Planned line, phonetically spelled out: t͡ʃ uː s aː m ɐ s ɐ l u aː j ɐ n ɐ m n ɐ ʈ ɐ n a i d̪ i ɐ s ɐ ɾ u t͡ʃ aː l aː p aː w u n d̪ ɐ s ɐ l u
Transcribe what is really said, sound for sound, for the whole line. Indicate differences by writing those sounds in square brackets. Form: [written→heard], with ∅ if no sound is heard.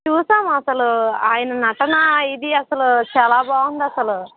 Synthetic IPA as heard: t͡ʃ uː s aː m ɐ s ɐ l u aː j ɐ n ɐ [m→∅] n ɐ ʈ ɐ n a i d̪ i ɐ s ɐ [ɾ→l] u t͡ʃ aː l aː [p→b] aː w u n d̪ ɐ s ɐ l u